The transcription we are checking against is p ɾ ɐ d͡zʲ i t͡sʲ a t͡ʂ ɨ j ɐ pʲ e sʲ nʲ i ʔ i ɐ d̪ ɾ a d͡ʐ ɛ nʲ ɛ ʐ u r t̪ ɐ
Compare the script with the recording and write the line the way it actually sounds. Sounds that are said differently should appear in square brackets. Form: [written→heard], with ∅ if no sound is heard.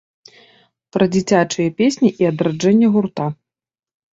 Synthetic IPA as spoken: p ɾ ɐ d͡zʲ i t͡sʲ a t͡ʂ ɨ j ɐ pʲ e sʲ nʲ i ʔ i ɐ d̪ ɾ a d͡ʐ ɛ [nʲ→nʲː] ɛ [ʐ→ɣ] u r t̪ [ɐ→a]